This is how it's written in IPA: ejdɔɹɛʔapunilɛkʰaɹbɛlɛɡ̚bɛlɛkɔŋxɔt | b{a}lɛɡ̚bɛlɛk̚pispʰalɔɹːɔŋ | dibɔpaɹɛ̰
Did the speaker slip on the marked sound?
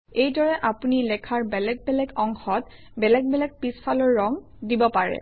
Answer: yes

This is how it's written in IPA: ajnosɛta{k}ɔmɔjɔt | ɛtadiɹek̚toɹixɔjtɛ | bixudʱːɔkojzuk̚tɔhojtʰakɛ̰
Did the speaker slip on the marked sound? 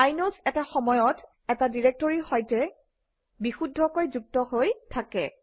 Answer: yes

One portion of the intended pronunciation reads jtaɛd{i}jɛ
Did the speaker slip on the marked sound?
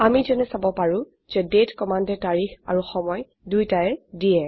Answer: no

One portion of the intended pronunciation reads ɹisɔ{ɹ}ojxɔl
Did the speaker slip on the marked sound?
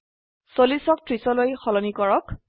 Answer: yes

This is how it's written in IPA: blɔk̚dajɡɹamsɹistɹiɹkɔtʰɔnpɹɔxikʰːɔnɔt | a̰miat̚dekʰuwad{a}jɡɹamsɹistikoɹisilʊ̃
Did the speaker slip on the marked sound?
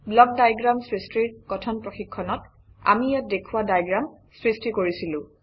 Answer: no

